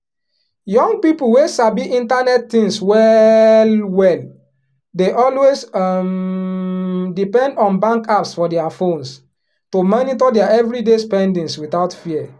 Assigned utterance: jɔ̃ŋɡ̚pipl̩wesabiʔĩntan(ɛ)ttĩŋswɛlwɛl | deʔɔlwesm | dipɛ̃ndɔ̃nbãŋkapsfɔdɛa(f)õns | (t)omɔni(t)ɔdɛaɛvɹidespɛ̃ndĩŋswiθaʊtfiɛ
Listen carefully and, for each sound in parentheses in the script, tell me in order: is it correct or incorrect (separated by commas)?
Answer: correct, correct, correct, correct